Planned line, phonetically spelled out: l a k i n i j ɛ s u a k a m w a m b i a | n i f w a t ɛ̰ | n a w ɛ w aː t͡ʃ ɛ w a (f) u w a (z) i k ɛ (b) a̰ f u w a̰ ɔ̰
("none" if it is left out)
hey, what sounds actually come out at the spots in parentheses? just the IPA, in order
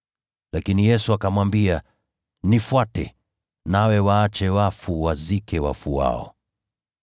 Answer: f, z, w

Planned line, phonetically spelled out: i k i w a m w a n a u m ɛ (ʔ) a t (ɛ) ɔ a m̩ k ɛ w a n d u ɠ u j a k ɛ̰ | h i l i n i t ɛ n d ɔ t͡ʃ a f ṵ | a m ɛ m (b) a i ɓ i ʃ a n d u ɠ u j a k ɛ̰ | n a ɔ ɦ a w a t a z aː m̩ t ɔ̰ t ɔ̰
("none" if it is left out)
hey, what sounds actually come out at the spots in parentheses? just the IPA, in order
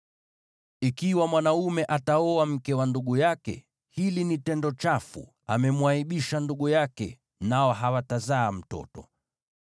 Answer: ʔ, a, w

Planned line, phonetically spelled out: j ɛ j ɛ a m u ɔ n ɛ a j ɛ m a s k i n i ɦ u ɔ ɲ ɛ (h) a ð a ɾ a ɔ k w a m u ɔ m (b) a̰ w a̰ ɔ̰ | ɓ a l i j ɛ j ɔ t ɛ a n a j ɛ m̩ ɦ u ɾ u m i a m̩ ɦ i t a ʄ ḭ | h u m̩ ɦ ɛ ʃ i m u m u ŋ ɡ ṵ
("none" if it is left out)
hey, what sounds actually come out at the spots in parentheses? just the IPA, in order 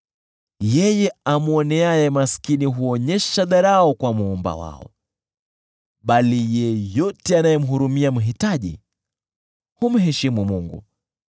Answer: ʃ, b

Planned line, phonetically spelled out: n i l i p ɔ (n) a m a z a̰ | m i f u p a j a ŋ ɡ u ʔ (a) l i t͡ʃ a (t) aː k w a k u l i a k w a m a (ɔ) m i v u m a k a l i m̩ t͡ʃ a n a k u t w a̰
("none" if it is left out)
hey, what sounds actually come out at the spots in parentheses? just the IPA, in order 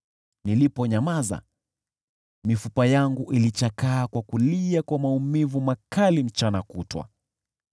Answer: ɲ, i, k, u

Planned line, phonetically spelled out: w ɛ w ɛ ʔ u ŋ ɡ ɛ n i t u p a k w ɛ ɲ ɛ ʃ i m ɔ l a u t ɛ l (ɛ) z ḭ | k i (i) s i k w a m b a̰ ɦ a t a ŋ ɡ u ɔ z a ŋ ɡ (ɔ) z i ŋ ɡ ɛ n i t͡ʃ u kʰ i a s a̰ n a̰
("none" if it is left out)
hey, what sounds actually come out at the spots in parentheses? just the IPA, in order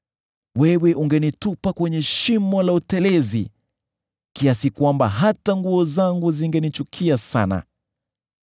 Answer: ɛ, a, u

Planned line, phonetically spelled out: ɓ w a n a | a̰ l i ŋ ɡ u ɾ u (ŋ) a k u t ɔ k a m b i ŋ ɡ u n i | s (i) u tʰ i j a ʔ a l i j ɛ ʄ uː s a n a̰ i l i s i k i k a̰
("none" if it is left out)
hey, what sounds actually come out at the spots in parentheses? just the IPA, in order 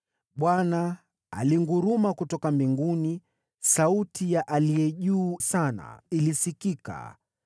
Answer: m, a

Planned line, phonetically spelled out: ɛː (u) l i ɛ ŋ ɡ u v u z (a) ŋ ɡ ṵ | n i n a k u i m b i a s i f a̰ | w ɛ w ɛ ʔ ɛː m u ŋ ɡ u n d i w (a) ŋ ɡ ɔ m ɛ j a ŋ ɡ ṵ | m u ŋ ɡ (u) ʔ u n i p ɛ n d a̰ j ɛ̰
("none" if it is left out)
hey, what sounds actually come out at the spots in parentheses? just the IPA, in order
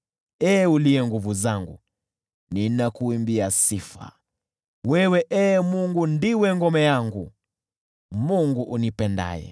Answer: u, a, ɛ, u

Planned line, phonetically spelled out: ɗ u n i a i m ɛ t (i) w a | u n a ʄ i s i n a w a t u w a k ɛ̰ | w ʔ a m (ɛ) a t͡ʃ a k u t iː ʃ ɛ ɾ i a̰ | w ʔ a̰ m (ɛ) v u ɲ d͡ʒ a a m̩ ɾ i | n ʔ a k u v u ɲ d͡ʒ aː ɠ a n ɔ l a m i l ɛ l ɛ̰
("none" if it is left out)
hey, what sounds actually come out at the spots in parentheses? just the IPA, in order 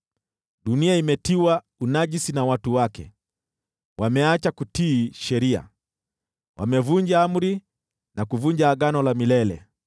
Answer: i, ɛ, ɛ

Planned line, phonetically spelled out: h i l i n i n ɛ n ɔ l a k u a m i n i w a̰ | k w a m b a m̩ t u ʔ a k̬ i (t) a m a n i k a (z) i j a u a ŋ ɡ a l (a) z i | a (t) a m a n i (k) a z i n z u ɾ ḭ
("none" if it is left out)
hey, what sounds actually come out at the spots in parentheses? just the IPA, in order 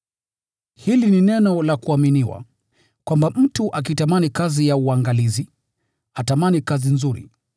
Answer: t, z, i, t, k

